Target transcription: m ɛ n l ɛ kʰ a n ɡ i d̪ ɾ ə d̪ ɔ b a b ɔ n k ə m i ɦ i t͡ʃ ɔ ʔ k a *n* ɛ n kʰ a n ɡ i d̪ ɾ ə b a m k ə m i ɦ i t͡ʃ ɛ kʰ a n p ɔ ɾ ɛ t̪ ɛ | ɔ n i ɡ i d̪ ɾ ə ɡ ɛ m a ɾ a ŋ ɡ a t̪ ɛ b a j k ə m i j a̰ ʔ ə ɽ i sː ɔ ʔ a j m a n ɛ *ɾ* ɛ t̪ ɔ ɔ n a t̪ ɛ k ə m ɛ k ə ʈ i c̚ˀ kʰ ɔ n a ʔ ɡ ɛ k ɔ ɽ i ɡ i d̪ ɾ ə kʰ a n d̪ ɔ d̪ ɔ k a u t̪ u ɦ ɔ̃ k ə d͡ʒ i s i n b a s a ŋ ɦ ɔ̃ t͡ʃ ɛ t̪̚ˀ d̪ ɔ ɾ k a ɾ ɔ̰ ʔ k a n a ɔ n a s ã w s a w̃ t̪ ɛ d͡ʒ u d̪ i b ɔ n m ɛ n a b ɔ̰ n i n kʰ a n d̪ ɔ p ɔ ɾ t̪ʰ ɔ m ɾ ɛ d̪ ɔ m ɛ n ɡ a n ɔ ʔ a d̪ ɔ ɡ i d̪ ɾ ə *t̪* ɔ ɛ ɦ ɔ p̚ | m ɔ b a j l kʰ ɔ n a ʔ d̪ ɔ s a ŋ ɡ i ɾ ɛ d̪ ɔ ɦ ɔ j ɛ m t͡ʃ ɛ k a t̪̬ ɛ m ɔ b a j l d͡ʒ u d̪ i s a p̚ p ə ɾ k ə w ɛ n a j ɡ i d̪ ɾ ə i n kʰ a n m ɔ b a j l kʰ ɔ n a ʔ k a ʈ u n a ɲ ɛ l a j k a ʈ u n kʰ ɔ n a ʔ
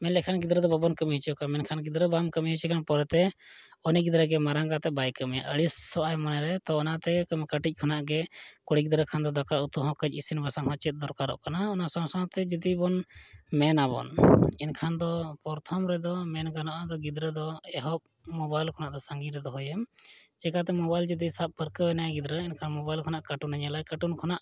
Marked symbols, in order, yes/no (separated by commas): no, yes, no